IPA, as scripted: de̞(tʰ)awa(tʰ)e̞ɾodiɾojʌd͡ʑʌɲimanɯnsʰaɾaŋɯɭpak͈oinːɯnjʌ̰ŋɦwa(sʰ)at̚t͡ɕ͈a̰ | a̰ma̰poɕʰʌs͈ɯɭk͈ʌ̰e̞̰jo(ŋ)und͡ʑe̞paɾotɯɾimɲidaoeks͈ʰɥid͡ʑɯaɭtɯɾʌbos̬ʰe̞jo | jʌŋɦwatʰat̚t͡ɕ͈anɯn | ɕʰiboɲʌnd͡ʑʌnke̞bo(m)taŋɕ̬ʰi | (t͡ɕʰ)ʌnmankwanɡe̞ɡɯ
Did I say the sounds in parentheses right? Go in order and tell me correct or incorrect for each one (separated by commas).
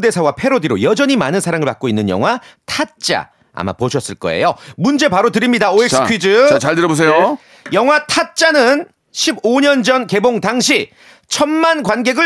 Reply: incorrect, incorrect, incorrect, incorrect, incorrect, correct